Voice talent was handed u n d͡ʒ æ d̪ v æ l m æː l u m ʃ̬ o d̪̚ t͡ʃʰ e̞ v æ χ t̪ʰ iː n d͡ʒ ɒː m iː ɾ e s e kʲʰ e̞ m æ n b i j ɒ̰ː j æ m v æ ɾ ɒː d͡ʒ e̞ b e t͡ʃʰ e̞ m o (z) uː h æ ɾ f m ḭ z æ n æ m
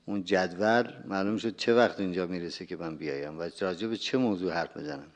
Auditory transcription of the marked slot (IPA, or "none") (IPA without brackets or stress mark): z